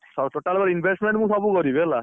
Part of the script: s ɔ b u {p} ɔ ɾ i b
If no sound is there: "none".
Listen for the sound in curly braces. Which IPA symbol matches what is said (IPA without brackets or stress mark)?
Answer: k